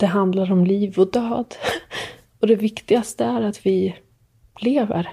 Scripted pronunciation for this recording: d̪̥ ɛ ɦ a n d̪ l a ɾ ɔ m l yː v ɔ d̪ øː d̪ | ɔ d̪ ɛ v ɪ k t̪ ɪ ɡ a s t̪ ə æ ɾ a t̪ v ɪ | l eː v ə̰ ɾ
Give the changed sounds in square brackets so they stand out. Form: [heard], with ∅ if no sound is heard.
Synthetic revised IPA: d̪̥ ɛ ɦ a n d̪ l a ɾ ɔ m l [iː] v ɔ d̪ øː d̪ | ɔ d̪ ɛ v ɪ k t̪ ɪ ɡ a s t̪ ə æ ɾ a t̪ v ɪ | l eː v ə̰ ɾ